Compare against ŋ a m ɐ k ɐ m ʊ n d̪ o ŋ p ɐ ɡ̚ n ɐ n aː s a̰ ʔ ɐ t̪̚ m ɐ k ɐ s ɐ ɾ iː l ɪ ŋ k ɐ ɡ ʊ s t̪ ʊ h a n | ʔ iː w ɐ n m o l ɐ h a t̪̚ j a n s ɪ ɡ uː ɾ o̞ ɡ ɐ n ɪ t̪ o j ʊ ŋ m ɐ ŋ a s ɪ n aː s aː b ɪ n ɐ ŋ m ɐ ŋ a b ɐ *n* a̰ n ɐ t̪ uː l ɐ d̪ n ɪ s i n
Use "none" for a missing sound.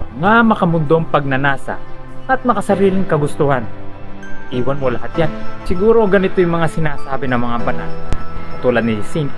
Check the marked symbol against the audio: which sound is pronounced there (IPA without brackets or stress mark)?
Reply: n